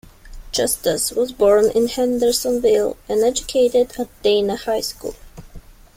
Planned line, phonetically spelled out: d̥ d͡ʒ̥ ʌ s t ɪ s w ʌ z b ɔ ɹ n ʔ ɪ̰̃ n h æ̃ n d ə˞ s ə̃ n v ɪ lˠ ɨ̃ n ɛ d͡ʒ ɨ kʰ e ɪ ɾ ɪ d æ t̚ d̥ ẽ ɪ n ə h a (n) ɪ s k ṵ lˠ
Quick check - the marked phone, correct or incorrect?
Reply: incorrect